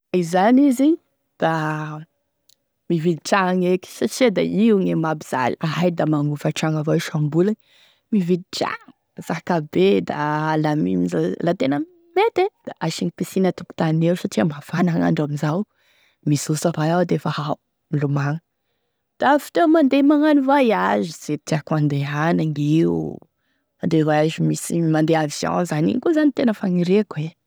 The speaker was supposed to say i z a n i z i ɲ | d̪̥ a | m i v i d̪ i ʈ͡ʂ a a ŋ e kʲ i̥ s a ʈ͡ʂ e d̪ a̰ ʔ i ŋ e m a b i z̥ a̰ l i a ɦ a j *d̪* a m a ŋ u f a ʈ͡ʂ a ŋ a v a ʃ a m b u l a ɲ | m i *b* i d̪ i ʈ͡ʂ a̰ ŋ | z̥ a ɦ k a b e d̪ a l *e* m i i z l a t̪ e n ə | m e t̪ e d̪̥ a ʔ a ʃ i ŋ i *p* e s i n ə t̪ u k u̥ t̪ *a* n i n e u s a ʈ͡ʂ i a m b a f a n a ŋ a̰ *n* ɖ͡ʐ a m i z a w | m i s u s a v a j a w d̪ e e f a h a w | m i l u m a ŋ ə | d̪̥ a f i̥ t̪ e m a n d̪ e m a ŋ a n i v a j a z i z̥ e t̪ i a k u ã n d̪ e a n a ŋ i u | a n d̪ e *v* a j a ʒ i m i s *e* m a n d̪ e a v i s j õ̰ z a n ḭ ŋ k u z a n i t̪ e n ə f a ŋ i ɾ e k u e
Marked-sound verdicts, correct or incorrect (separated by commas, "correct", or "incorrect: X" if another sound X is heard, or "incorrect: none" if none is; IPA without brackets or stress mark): correct, incorrect: v, incorrect: a, correct, correct, incorrect: ɳ, correct, incorrect: i